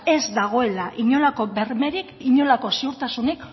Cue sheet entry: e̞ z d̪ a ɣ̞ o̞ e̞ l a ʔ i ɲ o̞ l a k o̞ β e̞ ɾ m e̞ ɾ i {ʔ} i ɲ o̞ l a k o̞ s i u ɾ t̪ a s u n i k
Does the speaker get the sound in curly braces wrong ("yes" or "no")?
yes